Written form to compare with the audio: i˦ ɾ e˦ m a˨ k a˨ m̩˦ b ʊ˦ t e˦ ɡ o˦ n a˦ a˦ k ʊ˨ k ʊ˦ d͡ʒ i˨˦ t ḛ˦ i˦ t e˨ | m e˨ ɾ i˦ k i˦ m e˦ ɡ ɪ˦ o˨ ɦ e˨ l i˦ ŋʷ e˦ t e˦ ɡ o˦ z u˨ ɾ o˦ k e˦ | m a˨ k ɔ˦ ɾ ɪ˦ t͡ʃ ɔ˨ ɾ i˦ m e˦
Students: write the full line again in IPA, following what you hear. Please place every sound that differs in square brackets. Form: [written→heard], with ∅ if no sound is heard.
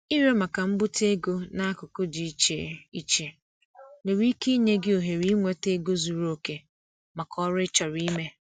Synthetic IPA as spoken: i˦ ɾ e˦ m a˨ k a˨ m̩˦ b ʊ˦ t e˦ ɡ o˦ n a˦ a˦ k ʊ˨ k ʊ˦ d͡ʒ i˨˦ [t→t͡ʃ] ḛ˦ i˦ [t→t͡ʃ] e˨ | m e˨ ɾ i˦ k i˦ [m→ɲ] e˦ ɡ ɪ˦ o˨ ɦ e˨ [l→ɾ] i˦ ŋʷ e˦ t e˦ ɡ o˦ z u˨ ɾ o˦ k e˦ | m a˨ k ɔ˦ ɾ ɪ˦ t͡ʃ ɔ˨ ɾ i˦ m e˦